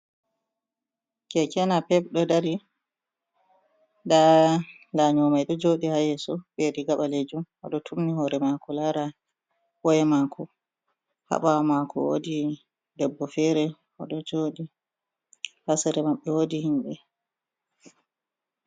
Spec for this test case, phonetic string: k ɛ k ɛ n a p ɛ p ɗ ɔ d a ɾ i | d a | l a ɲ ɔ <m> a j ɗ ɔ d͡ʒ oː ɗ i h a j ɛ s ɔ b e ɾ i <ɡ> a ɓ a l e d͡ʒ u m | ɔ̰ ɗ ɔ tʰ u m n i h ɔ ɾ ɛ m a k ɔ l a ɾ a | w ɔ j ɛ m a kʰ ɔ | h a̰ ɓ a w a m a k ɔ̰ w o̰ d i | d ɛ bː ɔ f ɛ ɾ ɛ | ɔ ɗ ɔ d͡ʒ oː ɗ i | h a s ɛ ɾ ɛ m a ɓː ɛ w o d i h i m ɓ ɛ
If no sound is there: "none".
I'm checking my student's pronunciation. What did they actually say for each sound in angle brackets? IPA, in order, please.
m, ɡ

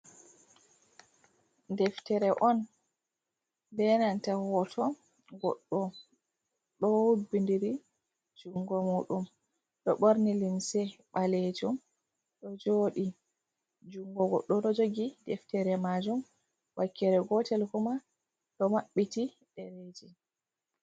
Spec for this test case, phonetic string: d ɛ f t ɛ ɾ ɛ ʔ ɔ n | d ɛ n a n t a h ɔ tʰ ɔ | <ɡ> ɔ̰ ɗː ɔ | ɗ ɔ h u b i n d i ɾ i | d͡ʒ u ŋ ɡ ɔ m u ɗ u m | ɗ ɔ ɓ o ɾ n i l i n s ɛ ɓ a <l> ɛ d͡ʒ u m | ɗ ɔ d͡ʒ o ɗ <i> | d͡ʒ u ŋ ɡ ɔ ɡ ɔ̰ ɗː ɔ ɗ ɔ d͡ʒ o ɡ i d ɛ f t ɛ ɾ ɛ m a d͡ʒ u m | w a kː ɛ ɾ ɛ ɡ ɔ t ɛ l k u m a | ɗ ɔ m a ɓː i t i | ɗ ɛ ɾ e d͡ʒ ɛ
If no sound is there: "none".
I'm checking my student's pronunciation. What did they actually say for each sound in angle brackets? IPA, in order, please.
ɡ, l, i

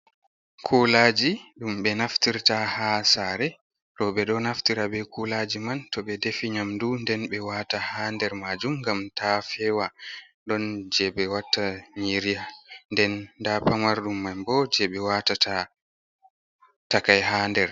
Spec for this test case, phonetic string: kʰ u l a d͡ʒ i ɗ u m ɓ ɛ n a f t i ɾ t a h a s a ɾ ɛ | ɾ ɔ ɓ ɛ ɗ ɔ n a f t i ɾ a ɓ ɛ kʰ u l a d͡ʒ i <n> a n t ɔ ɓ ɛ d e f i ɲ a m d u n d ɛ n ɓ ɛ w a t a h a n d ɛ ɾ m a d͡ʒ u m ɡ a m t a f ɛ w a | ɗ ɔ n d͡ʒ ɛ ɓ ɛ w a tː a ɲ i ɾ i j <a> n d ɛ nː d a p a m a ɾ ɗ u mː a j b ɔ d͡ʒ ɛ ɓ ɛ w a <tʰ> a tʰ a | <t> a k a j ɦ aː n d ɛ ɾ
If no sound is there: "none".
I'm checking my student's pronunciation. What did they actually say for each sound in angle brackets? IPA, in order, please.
m, a, t, t

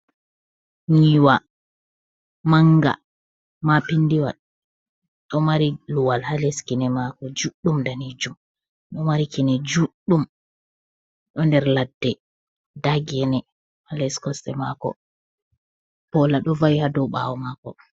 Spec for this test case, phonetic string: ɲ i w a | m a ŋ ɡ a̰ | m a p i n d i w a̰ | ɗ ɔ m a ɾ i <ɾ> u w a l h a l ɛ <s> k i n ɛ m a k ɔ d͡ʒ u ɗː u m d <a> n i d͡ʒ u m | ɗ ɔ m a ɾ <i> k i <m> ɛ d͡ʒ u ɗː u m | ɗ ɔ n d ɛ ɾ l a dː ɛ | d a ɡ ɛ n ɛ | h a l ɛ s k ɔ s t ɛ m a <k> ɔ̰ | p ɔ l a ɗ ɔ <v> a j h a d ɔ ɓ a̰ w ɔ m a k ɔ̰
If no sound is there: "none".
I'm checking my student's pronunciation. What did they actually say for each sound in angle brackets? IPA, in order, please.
l, s, a, i, n, k, v

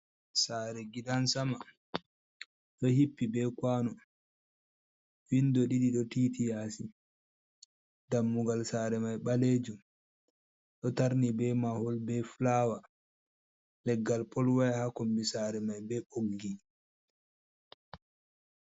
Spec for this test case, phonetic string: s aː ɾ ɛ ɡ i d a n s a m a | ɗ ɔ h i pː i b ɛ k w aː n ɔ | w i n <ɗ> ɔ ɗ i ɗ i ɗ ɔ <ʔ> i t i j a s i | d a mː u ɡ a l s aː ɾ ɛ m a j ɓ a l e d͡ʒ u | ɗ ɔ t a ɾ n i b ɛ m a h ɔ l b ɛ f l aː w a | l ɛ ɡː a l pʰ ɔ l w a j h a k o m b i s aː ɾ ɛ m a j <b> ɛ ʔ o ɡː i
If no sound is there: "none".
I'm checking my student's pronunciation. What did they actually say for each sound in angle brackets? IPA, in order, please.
d, t, b

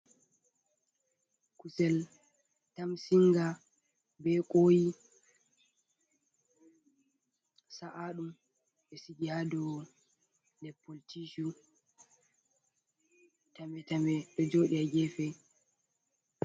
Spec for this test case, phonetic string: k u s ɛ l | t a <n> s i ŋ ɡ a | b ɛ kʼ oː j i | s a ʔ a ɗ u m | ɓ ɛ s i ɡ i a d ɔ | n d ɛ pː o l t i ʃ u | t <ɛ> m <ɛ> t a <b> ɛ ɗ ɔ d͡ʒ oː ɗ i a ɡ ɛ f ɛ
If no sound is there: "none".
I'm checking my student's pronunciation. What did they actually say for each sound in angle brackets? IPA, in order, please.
m, a, ɛ, m

